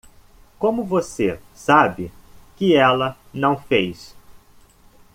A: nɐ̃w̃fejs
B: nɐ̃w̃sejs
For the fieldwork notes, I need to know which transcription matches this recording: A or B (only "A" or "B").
A